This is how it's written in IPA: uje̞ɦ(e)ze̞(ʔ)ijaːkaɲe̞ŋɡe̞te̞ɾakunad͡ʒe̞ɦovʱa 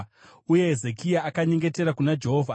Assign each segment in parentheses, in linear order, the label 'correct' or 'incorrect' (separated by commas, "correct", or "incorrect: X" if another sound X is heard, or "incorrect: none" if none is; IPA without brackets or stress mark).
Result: correct, incorrect: k